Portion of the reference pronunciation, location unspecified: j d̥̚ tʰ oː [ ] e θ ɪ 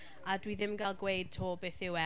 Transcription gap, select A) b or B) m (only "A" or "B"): A